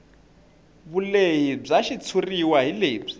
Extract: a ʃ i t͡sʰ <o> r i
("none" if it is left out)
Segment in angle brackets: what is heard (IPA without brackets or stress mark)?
u